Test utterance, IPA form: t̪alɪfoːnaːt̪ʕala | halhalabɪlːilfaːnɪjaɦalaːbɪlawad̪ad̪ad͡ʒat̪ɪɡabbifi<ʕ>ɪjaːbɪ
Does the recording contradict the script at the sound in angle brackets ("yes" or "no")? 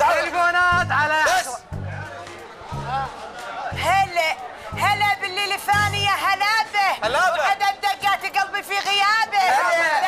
yes